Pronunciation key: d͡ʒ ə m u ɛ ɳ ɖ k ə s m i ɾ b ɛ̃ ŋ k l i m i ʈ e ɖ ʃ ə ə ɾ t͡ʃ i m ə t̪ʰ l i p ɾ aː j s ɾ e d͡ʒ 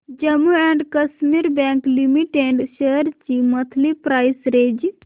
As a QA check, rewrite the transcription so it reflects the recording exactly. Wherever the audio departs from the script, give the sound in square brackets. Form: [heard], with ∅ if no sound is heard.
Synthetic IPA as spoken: d͡ʒ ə m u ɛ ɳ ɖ k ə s m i ɾ b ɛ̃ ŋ k l i m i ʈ e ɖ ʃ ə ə ɾ t͡ʃ i m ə t̪ʰ l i p ɾ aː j s ɾ e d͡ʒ